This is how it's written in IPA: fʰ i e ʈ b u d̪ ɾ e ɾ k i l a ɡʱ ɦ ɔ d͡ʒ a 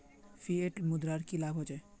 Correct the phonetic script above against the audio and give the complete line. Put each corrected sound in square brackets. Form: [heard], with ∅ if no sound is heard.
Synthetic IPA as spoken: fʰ i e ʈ [m] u d̪ ɾ [a] ɾ k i l a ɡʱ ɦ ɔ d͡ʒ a